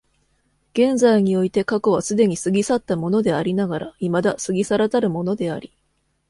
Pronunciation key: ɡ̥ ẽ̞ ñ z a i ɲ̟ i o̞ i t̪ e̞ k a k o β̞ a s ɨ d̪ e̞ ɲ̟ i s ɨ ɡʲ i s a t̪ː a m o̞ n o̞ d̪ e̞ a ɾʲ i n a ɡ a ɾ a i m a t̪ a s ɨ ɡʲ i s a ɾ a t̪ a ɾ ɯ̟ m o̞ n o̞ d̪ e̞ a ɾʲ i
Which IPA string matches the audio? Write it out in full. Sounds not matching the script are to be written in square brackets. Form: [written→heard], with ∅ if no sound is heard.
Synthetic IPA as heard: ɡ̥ ẽ̞ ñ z a i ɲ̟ i o̞ i t̪ e̞ k a k o β̞ a s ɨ d̪ e̞ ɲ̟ i s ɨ ɡʲ i s a t̪ː a m o̞ n o̞ d̪ e̞ a ɾʲ i n a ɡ a ɾ a i m a [t̪→d̪] a s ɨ ɡʲ i s a ɾ a t̪ a ɾ ɯ̟ m o̞ n o̞ d̪ e̞ a ɾʲ i